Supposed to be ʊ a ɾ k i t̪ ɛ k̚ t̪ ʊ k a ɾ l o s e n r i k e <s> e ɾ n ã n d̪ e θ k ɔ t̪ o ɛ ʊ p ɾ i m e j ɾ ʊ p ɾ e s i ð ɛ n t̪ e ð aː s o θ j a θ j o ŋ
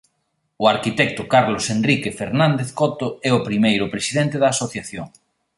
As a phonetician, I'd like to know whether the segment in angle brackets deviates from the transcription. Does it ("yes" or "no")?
yes